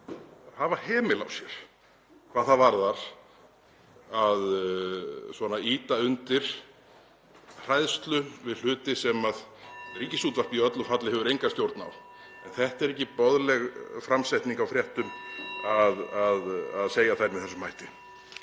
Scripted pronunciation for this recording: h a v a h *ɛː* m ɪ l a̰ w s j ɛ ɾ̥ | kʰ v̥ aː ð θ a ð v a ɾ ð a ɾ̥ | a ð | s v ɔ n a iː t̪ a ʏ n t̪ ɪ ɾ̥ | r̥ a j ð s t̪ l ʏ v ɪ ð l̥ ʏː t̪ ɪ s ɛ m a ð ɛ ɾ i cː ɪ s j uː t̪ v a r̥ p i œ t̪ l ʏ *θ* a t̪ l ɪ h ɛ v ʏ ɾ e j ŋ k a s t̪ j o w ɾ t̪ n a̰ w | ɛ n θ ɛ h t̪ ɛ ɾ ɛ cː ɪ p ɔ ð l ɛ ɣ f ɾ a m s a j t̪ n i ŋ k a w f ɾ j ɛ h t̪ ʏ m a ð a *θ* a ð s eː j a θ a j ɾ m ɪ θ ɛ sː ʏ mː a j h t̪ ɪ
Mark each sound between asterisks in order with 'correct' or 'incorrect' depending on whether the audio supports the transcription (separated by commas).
correct, incorrect, incorrect